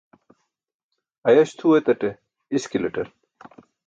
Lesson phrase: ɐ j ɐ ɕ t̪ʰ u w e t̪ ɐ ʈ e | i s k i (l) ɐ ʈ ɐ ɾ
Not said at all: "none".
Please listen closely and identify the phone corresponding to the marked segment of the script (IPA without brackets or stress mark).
l